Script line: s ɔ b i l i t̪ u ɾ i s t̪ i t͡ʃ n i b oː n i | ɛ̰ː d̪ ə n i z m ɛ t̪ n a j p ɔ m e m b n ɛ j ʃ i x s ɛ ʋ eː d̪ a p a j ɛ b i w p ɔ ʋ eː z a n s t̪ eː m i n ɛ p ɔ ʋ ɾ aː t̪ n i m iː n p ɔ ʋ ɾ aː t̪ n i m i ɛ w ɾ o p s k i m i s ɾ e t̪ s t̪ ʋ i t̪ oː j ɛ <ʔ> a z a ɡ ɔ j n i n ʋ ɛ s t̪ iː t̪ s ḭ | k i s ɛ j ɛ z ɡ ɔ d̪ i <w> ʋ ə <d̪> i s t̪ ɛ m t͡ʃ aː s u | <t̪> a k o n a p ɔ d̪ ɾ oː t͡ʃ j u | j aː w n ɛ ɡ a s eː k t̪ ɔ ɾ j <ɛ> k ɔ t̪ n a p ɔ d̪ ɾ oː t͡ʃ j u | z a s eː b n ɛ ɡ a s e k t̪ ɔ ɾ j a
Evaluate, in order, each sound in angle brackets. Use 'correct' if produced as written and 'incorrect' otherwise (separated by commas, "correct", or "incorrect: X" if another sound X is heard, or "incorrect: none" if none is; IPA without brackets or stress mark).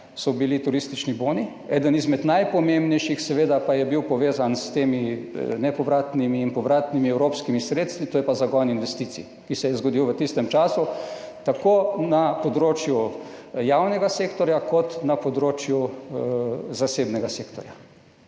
incorrect: p, correct, incorrect: t̪, correct, incorrect: a